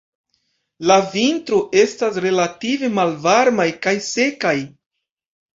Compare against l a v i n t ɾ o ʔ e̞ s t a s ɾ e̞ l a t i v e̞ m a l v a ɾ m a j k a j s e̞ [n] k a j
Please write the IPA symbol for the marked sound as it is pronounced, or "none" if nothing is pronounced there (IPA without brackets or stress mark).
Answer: none